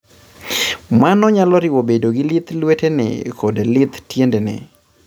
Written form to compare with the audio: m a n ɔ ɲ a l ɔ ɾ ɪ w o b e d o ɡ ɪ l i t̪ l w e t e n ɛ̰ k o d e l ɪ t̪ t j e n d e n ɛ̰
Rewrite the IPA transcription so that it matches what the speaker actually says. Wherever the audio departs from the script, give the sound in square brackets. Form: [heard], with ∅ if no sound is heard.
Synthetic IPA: m a n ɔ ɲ a l ɔ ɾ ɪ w o b e d o ɡ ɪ l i t̪ l w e t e n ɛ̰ k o d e l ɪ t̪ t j e n d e n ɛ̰